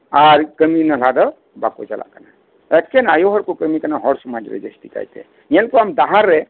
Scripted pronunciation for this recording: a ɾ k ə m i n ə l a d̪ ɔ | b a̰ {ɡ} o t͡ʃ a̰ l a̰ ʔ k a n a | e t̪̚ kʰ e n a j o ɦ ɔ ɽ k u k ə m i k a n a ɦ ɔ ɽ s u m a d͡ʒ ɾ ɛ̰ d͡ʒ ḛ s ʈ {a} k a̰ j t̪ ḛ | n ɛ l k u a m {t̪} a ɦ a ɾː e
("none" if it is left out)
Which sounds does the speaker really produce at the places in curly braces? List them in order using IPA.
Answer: k, i, d̪

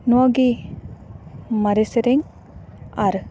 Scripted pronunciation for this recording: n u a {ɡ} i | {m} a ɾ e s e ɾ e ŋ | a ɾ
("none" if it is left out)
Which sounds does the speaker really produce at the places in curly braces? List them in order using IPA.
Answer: ɡ, m

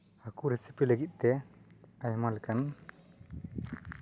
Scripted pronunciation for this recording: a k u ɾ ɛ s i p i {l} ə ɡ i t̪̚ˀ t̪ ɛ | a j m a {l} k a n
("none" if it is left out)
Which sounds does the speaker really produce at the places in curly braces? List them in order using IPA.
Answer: l, l

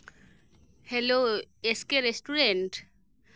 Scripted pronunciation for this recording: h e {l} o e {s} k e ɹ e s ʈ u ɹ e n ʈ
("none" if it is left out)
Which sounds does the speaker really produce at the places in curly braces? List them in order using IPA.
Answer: l, s

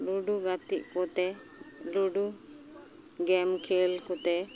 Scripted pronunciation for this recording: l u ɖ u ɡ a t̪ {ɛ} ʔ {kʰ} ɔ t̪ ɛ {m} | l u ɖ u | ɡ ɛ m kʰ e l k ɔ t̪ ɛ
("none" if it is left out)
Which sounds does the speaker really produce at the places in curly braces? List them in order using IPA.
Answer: i, k, none

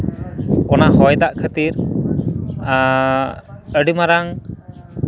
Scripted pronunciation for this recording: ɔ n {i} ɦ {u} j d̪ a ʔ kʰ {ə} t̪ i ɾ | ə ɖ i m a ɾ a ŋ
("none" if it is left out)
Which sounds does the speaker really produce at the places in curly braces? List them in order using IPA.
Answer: a, ɔ, ə

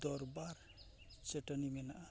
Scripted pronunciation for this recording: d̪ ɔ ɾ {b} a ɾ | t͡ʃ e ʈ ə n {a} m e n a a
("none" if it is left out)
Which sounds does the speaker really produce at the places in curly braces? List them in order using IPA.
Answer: b, i

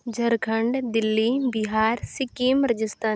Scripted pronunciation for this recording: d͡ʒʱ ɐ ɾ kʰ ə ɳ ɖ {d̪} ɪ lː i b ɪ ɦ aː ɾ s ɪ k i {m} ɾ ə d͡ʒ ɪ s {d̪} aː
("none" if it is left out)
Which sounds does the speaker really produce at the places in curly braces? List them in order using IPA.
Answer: d̪, m, t̪

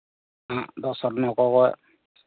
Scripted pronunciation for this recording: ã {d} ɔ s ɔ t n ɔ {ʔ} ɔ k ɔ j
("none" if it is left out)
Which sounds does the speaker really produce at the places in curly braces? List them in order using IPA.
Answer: d, k

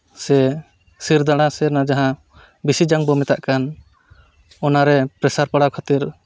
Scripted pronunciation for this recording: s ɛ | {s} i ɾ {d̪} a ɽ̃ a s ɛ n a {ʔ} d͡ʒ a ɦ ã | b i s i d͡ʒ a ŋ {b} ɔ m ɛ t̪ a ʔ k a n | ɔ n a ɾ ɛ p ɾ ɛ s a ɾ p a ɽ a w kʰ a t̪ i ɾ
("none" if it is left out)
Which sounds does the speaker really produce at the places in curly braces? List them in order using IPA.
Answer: s, d̪, none, b

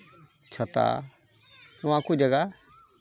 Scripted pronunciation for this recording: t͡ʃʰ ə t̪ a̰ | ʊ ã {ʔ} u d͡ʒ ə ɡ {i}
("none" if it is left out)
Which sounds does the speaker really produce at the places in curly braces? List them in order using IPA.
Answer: k, a

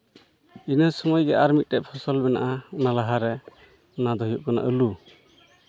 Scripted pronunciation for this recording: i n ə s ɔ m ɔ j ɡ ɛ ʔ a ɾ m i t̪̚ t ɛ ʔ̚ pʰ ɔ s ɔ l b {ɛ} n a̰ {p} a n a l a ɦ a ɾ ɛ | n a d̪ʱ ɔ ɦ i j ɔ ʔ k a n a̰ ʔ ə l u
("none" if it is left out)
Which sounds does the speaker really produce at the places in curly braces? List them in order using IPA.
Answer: ɛ, ʔ

